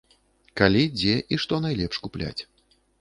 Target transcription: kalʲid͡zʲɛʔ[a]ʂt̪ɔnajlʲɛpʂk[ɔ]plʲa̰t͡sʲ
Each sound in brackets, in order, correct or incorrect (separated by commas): incorrect, incorrect